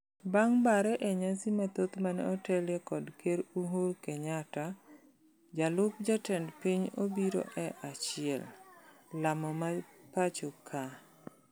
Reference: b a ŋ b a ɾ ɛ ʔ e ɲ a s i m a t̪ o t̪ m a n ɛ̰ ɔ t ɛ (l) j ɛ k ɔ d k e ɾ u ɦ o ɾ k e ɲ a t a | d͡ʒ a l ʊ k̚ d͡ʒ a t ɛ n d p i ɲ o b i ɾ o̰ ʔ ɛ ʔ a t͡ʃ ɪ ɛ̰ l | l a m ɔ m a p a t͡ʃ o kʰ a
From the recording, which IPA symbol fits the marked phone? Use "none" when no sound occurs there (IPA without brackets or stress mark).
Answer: l